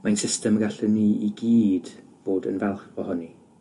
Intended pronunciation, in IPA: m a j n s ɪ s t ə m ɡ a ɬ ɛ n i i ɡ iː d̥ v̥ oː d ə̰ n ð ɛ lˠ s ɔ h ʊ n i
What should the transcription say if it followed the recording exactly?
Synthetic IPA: m a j n s ɪ s t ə m ɡ a ɬ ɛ n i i ɡ iː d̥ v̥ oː d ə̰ n v ɛ lˠ χ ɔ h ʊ n i